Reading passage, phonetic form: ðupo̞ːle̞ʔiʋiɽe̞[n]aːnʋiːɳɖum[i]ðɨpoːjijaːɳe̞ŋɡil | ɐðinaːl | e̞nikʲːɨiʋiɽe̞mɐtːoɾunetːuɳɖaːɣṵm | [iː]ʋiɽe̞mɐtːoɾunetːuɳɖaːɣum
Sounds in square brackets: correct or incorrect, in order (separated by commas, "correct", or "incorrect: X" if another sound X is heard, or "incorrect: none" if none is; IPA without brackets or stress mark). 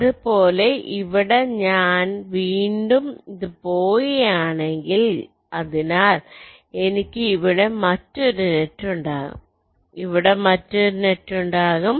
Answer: incorrect: ɲ, correct, incorrect: i